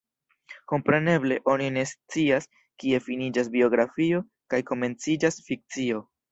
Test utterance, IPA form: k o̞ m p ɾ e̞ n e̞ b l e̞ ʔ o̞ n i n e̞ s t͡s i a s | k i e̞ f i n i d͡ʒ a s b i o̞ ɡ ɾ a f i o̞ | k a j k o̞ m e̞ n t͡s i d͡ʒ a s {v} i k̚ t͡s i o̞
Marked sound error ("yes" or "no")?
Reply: yes